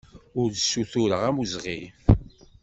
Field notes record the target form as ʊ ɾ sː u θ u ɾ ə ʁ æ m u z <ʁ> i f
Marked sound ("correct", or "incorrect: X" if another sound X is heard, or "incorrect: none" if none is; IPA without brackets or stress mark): correct